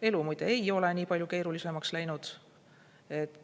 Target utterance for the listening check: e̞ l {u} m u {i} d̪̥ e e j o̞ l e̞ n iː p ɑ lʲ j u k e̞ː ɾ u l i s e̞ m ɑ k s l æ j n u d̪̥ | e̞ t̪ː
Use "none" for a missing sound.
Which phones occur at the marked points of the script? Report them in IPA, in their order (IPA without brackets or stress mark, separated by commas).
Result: u, j